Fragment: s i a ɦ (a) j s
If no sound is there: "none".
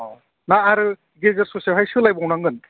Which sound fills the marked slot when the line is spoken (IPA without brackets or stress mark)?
a